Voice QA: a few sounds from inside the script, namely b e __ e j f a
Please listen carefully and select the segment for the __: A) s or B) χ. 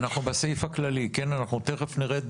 A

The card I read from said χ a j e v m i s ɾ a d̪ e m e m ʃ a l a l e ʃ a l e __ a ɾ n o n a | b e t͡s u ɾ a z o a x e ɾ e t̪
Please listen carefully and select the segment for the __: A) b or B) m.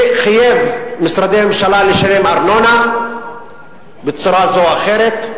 B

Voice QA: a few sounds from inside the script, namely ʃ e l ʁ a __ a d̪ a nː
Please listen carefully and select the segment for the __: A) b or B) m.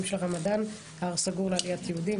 B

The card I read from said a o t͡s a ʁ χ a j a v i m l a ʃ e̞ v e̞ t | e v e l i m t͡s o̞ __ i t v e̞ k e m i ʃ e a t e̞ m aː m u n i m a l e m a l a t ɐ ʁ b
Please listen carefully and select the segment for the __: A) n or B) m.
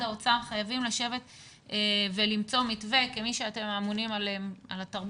B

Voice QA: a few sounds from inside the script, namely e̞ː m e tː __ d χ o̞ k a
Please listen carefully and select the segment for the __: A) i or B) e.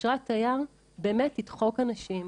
A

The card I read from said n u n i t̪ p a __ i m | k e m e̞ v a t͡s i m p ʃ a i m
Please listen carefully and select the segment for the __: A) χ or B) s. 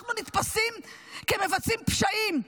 B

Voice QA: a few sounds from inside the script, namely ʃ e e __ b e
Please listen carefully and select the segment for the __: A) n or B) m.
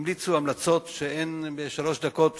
A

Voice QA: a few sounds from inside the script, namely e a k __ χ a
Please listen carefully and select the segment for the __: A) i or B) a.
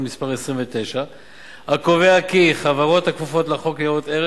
A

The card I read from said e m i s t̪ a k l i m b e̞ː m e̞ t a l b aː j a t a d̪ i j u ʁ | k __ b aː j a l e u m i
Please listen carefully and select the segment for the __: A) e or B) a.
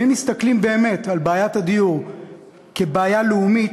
A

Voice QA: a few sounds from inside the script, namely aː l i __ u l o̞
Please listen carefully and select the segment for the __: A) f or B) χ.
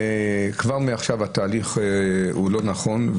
B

